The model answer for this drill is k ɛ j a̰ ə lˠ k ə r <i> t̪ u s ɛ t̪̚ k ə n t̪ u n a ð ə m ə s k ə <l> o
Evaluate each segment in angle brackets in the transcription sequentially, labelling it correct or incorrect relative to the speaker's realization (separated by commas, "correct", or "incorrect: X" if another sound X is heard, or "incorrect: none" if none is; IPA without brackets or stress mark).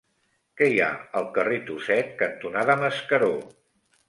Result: incorrect: e, incorrect: ɾ